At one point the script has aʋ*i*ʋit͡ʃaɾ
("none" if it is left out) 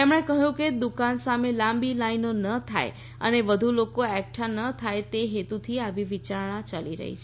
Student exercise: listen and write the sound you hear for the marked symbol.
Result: i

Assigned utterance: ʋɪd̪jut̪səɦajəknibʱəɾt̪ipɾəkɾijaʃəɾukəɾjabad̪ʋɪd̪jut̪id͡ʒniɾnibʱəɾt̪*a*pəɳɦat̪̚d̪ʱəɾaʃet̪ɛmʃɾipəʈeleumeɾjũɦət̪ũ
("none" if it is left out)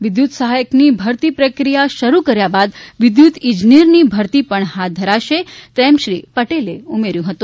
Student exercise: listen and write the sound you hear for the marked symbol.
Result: i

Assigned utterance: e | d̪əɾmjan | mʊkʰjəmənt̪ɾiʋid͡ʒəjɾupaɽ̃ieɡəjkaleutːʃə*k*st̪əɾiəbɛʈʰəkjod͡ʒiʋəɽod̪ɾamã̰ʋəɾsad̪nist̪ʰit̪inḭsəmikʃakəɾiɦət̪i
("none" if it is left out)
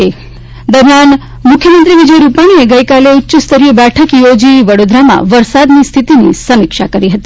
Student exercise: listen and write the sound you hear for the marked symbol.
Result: none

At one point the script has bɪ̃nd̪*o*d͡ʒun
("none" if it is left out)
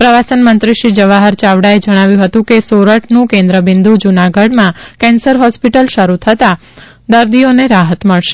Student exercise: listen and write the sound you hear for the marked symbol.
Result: u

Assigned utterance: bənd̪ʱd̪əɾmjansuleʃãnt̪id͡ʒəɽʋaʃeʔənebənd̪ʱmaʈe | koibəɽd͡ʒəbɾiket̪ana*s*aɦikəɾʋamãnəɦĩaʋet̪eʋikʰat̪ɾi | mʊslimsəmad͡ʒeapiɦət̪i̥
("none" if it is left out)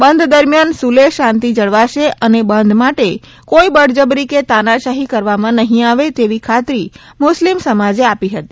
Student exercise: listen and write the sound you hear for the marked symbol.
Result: ʃ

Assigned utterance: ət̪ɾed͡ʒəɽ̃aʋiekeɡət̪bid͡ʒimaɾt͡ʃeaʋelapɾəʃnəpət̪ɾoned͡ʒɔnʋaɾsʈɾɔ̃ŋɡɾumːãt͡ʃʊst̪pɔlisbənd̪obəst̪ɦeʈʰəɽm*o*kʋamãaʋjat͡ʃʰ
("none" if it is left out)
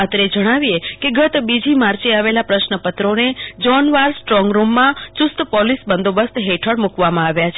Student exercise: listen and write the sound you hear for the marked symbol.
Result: u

